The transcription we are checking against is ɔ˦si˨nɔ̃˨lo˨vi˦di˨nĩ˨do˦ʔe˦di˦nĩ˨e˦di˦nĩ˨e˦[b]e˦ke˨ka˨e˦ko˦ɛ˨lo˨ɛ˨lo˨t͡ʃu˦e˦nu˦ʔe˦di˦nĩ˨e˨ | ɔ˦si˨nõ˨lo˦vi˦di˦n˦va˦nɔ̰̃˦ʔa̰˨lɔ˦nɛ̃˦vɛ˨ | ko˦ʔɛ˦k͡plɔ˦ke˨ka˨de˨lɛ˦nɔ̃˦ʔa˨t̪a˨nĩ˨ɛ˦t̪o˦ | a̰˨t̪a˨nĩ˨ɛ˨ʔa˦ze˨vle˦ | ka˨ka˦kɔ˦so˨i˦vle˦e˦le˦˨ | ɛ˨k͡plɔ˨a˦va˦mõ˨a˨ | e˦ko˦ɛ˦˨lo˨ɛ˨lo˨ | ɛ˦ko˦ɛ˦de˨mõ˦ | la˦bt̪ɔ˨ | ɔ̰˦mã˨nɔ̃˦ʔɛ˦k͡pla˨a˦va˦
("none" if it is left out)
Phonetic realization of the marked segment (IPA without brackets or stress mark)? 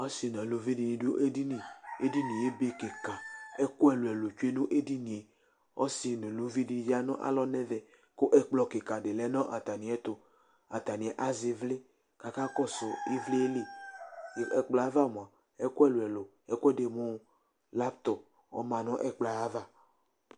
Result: b